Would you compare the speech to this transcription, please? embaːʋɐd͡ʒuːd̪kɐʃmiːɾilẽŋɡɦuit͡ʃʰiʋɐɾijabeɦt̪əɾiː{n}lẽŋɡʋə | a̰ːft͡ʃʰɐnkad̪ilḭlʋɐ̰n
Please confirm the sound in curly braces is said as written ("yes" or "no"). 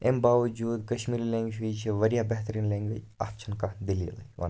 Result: yes